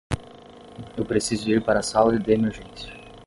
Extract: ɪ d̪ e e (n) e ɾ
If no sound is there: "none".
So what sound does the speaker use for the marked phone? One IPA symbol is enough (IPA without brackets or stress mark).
m